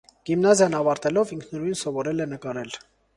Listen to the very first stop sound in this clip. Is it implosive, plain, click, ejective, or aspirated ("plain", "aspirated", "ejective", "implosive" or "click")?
plain